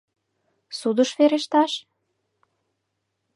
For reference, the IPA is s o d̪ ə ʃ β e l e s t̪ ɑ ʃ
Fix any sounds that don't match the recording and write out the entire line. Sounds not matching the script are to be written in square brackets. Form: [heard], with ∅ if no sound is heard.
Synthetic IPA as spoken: s [u] d̪ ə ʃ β e [ɾ] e [ʃ] t̪ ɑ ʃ